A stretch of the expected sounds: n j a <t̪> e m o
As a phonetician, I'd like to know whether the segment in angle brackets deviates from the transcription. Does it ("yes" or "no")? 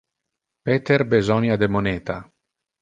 yes